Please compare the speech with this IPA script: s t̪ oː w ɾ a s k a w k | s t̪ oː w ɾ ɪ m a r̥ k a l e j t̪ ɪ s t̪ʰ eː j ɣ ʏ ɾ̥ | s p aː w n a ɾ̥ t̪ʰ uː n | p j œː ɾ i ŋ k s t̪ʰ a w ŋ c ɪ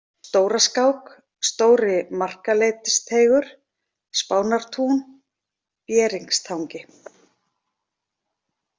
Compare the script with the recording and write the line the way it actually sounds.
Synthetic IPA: s t̪ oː w ɾ a s k a w k | s t̪ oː w ɾ ɪ m a r̥ k a l e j t̪ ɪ s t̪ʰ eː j ɣ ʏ ɾ̥ | s p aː w n a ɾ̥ t̪ʰ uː n | p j ɛː ɾ i ŋ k s t̪ʰ a w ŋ c ɪ